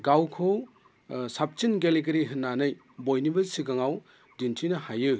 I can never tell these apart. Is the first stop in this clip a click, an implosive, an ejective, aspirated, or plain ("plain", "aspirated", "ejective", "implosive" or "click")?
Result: plain